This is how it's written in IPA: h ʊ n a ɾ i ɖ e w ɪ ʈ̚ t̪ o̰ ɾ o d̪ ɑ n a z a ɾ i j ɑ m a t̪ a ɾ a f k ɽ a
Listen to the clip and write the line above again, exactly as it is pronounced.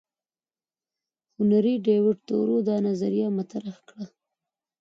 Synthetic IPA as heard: h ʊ n a ɾ i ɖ e w ɪ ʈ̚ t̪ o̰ ɾ o d̪ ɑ n a z a ɾ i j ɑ m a t̪ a ɾ a x k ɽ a